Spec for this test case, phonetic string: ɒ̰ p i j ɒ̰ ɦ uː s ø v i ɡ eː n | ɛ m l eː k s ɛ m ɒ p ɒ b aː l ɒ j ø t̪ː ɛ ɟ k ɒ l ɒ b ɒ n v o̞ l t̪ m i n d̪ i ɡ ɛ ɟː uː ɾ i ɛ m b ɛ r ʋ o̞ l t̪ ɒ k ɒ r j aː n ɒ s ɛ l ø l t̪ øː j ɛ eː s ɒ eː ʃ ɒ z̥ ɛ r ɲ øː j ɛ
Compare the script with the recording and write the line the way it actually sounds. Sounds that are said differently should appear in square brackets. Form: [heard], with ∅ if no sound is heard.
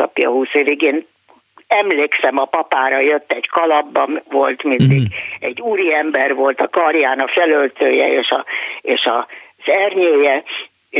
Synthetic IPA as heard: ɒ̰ p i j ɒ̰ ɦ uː s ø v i ɡ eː n | ɛ m l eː k s ɛ m ɒ p ɒ [p] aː [ɾ] ɒ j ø t̪ː ɛ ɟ k ɒ l ɒ [bː] ɒ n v o̞ l t̪ m i n d̪ i ɡ ɛ ɟː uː ɾ i ɛ m b ɛ r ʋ o̞ l t̪ ɒ k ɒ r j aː n ɒ [f] ɛ l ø l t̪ øː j ɛ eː [ʃ] ɒ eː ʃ ɒ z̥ ɛ r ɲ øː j ɛ